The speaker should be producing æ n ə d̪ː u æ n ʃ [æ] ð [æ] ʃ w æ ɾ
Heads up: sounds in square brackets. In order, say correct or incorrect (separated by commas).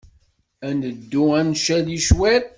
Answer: correct, incorrect